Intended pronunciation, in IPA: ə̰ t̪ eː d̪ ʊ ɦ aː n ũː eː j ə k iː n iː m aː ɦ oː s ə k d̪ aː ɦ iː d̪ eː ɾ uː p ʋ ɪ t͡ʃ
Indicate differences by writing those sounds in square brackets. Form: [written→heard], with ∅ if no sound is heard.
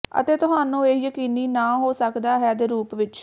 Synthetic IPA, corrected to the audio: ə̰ t̪ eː [d̪→t̪] ʊ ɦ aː n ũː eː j ə k iː n iː [m→n] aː ɦ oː s ə k d̪ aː ɦ [iː→ɛː] d̪ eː ɾ uː p ʋ ɪ t͡ʃ